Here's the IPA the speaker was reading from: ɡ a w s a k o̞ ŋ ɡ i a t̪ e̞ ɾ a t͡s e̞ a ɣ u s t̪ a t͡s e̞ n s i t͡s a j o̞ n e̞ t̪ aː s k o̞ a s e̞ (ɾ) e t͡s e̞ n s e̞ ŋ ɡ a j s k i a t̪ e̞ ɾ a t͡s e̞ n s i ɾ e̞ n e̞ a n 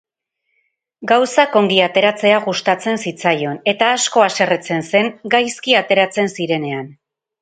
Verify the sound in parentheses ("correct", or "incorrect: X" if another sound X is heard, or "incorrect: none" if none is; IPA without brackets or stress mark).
incorrect: r